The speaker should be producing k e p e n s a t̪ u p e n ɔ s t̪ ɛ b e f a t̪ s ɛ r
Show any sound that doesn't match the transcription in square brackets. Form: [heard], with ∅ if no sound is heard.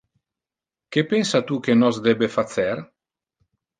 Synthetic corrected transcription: k e p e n s a t̪ u [k] e n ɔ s [d̪] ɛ b e f a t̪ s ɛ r